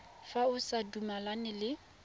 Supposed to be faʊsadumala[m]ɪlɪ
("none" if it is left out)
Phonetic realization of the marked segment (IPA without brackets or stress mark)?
n